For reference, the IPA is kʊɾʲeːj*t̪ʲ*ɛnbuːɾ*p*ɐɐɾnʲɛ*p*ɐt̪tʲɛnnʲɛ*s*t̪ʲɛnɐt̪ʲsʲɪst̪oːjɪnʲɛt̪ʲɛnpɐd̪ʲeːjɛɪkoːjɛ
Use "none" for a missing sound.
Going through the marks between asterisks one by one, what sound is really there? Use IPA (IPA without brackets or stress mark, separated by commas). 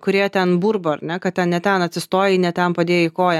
t̪ʲ, b, k, none